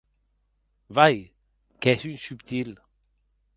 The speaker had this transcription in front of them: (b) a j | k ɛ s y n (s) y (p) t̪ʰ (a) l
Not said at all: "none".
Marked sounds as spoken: v, s, p, i

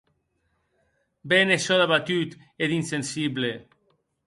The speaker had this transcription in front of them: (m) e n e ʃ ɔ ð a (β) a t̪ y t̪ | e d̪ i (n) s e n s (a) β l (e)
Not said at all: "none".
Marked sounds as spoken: b, β, n, i, e

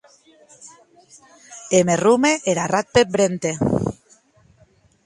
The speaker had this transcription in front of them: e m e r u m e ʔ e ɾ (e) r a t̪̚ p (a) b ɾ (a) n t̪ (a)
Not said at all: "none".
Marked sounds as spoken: a, e, e, e

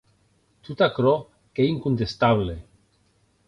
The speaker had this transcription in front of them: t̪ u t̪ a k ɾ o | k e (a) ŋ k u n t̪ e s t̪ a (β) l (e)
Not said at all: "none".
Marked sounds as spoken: i, β, e

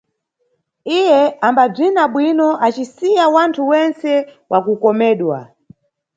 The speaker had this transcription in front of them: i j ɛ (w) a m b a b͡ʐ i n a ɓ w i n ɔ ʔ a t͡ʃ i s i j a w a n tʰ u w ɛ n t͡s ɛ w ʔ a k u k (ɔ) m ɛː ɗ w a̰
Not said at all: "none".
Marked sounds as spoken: none, ɔ

